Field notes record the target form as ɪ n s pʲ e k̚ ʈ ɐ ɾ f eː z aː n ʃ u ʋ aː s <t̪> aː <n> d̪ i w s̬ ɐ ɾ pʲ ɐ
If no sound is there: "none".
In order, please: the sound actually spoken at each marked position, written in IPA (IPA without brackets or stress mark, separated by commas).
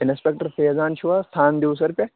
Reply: t̪ʰ, n